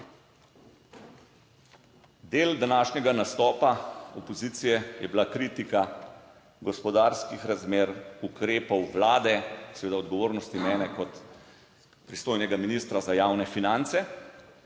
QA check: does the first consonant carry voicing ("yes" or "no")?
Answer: yes